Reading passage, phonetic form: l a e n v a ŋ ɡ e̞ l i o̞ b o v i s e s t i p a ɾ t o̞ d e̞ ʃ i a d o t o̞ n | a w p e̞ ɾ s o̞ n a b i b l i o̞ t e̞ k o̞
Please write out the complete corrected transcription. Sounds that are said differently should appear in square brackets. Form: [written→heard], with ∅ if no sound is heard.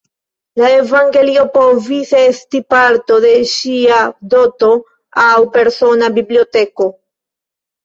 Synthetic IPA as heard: l a e [n→∅] v a ŋ ɡ e̞ l i o̞ [b→p] o v i s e s t i p a ɾ t o̞ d e̞ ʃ i a d o t o̞ [n→∅] | a w p e̞ ɾ s o̞ n a b i b l i o̞ t e̞ k o̞